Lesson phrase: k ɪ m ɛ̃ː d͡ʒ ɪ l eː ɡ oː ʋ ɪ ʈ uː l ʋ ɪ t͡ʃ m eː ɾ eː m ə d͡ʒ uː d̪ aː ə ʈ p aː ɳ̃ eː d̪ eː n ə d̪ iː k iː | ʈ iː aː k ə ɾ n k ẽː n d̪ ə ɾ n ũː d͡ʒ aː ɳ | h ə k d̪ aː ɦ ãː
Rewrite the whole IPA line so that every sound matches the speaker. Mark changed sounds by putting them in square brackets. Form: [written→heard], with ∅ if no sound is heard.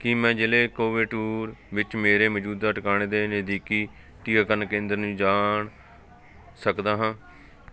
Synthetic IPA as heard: k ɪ m ɛ̃ː d͡ʒ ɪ l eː [ɡ→k] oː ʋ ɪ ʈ uː [l→ɾ] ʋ ɪ t͡ʃ m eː ɾ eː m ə d͡ʒ uː d̪ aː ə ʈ [p→k] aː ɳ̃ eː d̪ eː n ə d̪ iː k iː | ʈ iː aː k ə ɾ n k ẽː n d̪ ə ɾ n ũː d͡ʒ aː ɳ | [h→s] ə k d̪ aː ɦ ãː